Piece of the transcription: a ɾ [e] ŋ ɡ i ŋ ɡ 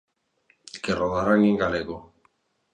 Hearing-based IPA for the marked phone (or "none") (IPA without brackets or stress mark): a